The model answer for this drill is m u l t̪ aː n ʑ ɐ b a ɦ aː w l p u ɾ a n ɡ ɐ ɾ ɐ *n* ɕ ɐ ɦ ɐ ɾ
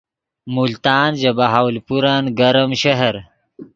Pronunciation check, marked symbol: incorrect: m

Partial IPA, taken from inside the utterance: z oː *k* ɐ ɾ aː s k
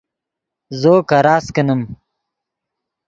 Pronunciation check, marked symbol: correct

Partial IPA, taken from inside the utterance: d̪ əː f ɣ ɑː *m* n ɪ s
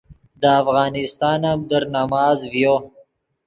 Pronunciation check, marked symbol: incorrect: none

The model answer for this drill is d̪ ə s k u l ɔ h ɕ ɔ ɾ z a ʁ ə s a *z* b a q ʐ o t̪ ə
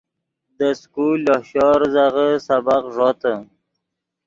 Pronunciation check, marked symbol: incorrect: none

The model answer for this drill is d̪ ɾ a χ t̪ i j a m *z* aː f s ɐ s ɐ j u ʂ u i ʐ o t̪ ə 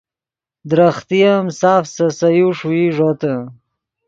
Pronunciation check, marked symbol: incorrect: s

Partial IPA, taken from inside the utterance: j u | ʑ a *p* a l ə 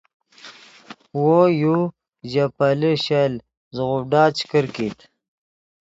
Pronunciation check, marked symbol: correct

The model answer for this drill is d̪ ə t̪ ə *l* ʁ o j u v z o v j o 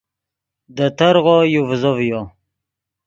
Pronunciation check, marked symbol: incorrect: ɾ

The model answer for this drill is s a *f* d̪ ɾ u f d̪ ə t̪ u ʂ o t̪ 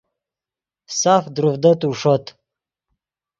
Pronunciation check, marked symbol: correct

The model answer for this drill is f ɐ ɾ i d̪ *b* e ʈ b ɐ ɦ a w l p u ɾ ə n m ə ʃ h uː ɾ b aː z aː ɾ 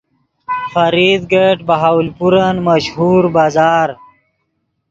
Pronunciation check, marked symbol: incorrect: ɡ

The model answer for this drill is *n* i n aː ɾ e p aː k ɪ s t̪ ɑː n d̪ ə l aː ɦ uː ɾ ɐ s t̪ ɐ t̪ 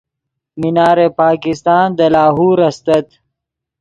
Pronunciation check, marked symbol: incorrect: m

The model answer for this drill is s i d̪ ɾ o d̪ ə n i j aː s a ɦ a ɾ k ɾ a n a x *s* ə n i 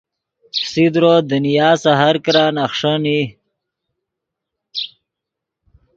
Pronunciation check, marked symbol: incorrect: ʂ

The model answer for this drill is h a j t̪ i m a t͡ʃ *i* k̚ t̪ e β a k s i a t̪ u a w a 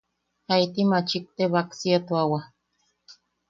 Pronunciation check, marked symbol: correct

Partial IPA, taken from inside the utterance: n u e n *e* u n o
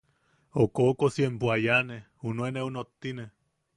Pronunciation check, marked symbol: correct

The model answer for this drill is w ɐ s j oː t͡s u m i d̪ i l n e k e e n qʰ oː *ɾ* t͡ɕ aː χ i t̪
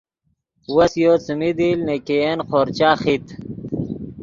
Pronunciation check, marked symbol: correct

